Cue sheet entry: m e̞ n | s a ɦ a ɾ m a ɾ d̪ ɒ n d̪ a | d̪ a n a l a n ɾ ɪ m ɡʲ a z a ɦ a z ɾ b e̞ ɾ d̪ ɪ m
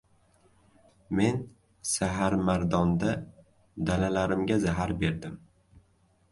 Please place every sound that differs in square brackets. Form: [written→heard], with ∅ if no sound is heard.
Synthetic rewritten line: m e̞ n | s a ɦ a ɾ m a ɾ d̪ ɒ n d̪ a | d̪ a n a l a [n→∅] ɾ ɪ m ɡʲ a z a ɦ a [z→∅] ɾ b e̞ ɾ d̪ ɪ m